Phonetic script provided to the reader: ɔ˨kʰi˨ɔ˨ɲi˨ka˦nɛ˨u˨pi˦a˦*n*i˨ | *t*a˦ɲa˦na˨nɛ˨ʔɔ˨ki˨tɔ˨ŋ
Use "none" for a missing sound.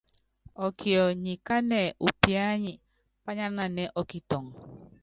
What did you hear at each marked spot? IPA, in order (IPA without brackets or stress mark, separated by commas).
ɲ, p